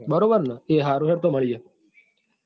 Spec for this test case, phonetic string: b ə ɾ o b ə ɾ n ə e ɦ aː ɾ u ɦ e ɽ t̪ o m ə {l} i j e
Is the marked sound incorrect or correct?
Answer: incorrect